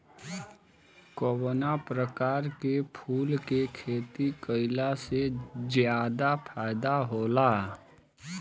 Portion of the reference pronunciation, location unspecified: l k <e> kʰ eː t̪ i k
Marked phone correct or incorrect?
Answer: correct